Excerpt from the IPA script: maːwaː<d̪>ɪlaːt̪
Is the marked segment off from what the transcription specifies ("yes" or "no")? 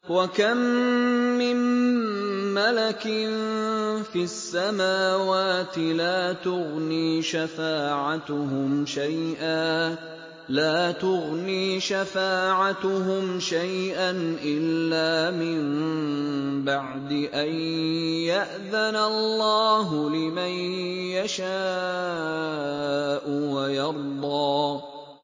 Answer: yes